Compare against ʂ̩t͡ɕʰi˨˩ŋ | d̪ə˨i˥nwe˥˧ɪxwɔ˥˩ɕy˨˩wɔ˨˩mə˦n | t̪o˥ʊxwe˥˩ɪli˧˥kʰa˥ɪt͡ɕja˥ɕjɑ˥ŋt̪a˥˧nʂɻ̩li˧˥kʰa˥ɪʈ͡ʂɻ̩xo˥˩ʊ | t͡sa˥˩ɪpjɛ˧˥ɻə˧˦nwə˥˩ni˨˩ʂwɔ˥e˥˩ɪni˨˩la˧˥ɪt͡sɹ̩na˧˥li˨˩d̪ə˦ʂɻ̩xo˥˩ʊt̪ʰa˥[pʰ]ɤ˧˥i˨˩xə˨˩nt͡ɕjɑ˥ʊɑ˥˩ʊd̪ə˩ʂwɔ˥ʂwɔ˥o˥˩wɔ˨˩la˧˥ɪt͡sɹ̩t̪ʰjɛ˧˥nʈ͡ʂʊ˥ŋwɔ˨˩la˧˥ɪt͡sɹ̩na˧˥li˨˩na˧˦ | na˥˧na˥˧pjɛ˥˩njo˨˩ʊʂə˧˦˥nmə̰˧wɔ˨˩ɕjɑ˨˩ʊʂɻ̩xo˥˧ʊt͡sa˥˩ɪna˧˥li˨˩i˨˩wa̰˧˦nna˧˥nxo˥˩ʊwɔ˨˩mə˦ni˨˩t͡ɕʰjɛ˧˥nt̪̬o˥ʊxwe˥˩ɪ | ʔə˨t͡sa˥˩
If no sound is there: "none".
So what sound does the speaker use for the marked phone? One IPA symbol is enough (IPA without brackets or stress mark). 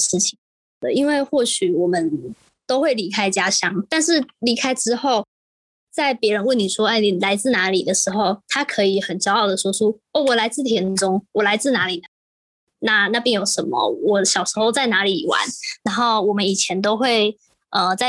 kʰ